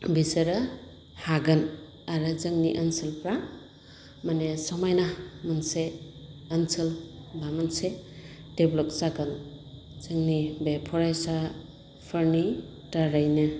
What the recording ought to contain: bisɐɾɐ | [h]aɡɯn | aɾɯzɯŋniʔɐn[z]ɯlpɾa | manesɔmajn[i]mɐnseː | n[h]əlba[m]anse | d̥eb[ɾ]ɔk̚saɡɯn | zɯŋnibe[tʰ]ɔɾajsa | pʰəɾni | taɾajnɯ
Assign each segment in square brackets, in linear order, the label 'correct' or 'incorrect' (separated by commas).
correct, incorrect, incorrect, incorrect, correct, incorrect, incorrect